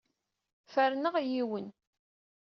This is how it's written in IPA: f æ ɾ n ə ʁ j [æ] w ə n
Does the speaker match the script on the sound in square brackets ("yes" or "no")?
no